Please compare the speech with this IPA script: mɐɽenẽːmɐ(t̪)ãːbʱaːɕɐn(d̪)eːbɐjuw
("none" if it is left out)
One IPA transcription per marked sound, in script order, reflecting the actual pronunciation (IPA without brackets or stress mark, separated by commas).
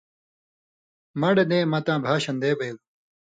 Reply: t̪, d̪